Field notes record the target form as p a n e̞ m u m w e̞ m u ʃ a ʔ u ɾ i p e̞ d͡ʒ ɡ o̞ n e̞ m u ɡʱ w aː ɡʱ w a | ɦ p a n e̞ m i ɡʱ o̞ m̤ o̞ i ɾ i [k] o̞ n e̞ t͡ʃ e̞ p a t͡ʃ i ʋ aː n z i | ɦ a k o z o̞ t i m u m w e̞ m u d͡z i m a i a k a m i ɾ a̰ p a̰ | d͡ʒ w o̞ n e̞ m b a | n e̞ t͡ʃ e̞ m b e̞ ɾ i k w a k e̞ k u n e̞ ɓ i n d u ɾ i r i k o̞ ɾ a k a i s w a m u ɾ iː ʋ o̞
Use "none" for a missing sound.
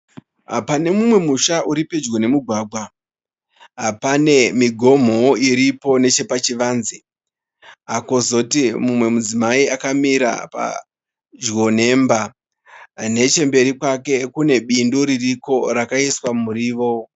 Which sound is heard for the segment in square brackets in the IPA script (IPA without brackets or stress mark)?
p